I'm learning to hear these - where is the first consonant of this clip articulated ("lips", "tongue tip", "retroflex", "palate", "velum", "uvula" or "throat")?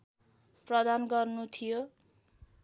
lips